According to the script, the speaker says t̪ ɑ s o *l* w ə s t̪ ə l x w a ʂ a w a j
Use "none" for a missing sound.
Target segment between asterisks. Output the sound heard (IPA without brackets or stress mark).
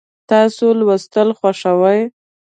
l